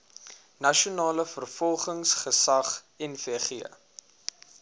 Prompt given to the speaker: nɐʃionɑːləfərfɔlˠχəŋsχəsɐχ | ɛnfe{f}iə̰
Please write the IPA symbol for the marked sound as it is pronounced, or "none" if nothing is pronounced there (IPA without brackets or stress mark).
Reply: χ